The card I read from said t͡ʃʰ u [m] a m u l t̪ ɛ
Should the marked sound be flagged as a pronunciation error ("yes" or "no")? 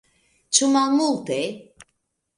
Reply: no